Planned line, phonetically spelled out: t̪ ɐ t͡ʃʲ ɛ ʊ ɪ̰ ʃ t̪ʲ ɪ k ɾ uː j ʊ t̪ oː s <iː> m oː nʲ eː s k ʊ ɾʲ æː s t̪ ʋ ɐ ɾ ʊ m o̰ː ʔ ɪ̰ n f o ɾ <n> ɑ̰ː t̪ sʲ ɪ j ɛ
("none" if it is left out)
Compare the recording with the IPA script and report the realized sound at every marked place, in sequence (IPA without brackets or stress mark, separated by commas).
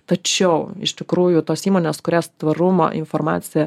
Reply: iː, m